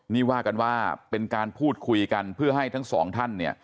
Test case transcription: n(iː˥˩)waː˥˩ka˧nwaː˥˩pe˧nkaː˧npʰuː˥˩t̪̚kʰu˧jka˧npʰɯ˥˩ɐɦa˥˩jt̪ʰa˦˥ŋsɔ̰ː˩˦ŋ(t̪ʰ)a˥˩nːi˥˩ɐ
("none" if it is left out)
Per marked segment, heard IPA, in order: iː˥˩, t̪ʰ

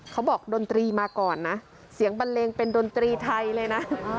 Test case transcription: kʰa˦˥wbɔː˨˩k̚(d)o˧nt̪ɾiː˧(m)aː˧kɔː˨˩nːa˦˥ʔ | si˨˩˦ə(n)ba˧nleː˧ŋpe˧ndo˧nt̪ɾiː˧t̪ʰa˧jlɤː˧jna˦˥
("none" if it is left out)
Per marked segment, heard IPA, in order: d, m, ŋ

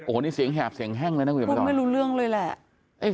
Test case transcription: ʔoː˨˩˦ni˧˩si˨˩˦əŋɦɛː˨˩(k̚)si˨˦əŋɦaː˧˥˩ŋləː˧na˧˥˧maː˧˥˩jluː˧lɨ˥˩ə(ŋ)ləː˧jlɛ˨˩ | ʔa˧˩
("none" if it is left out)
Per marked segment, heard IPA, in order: p̚, ŋ

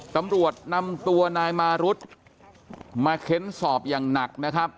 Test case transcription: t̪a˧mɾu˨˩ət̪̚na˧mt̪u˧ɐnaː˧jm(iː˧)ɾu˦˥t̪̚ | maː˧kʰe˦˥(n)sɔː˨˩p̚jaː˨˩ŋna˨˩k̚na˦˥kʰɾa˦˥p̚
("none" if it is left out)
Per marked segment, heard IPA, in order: aː˧, n

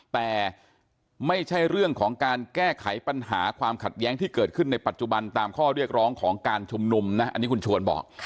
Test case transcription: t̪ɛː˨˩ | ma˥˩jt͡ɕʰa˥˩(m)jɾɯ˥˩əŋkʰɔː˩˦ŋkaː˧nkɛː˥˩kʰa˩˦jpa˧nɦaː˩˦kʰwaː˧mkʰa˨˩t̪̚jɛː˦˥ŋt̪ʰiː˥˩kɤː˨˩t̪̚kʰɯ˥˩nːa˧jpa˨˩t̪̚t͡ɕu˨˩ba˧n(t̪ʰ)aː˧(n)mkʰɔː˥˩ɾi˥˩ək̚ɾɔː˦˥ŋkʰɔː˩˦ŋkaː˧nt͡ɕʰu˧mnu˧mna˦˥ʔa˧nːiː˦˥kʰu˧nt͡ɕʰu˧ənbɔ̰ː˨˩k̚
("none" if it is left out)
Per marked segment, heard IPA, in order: none, t̪, none

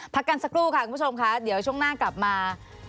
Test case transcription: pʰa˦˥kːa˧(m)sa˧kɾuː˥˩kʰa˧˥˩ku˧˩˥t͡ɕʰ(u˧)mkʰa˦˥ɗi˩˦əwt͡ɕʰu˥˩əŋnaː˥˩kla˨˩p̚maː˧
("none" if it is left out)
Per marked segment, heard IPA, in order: n, o˧

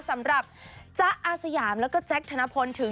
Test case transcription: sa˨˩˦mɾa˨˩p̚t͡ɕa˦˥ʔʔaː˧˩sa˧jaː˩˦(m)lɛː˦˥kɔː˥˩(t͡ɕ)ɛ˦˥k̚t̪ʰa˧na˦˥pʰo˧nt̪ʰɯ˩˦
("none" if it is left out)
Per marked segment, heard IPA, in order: m, t͡ɕ

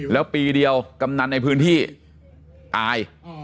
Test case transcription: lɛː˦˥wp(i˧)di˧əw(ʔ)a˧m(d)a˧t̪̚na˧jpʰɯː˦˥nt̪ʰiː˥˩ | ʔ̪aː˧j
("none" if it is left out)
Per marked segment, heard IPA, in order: iː˧, k, n

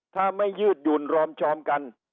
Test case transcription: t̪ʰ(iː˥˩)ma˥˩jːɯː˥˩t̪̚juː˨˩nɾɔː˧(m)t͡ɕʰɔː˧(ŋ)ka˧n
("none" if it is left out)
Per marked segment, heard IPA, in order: aː˥˩, m, m

